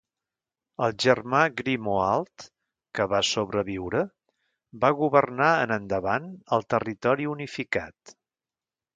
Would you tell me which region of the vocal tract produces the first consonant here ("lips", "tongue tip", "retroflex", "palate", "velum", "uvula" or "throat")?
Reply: tongue tip